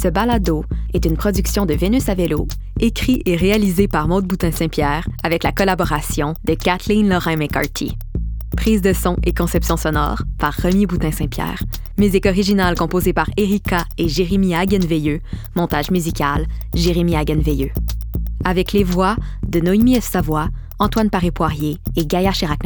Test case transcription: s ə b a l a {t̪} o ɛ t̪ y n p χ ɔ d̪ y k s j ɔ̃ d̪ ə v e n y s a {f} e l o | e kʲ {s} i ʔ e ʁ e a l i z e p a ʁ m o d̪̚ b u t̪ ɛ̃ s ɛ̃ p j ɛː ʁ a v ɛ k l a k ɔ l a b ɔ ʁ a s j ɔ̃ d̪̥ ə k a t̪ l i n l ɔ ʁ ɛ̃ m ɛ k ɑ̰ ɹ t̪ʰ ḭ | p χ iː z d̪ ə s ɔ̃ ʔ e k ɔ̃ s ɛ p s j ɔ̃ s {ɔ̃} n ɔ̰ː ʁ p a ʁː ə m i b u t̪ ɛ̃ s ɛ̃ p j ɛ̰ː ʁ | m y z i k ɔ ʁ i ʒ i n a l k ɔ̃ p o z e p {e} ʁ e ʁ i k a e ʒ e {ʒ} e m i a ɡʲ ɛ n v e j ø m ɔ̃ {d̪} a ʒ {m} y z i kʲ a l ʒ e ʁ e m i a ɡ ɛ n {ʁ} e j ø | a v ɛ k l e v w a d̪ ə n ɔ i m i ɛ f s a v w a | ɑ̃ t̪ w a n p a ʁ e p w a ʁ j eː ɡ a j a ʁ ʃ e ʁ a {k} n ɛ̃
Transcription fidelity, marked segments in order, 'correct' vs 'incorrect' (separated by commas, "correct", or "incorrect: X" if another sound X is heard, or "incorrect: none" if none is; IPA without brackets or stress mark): incorrect: d̪, incorrect: v, incorrect: χ, incorrect: ɔ, incorrect: a, incorrect: ʁ, incorrect: t̪, correct, incorrect: v, correct